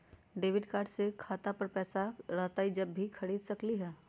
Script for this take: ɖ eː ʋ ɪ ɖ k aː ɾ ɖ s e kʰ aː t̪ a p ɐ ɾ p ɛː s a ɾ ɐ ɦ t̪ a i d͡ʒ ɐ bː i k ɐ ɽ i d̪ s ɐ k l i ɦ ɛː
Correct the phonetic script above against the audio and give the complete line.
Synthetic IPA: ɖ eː ʋ ɪ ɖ k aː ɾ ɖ s e kʰ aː t̪ a p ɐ ɾ p ɛː s a ɾ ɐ ɦ t̪ a i d͡ʒ ɐ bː i kʰ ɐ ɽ iː d̪ s ɐ k l i ɦ ɛː